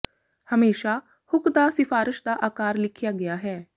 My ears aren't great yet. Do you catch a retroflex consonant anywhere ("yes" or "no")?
no